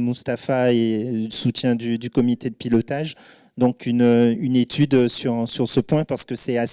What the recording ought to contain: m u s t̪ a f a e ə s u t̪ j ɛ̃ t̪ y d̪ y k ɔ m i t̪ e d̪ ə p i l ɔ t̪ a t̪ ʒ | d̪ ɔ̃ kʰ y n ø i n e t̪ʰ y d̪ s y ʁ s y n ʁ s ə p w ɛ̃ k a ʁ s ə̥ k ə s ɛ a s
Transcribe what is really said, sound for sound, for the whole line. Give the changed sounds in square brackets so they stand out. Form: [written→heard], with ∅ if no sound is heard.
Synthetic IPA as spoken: m u s t̪ a f a e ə s u t̪ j ɛ̃ [t̪→d̪] y d̪ y k ɔ m i t̪ e d̪ ə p i l ɔ t̪ a [t̪→∅] ʒ | d̪ ɔ̃ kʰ y n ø [i→y] n e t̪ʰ y d̪ s y ʁ s y [n→∅] ʁ s ə p w ɛ̃ [k→p] a ʁ s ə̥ k ə s ɛ a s